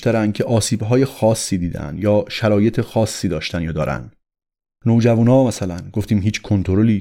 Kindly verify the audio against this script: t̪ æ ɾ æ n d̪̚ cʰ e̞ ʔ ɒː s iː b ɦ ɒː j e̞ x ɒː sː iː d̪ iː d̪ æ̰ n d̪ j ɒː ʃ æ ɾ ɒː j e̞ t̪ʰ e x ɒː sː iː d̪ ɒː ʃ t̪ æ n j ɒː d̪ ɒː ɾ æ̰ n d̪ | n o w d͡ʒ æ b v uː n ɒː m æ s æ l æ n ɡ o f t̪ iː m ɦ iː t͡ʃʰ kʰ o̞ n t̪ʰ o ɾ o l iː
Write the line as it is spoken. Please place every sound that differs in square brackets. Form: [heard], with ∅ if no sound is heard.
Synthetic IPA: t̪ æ ɾ æ n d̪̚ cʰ e̞ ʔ ɒː s iː b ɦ ɒː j e̞ x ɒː sː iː d̪ iː d̪ æ̰ n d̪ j ɒː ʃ æ ɾ ɒː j e̞ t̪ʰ e x ɒː sː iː d̪ ɒː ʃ t̪ æ n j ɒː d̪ ɒː ɾ æ̰ n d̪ | n o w d͡ʒ æ [∅] v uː n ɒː m æ s æ l æ n ɡ o f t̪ iː m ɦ iː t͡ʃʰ kʰ o̞ n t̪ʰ o ɾ o l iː